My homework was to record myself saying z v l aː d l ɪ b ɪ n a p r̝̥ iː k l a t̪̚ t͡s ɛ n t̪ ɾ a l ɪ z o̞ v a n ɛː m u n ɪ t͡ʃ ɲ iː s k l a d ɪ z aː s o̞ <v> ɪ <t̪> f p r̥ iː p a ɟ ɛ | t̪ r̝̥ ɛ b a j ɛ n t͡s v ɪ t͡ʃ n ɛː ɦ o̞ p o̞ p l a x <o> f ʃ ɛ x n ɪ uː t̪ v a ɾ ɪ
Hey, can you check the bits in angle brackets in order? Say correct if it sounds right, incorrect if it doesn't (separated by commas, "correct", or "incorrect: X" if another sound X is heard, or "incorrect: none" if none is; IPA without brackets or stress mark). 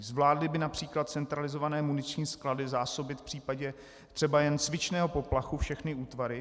incorrect: b, correct, incorrect: u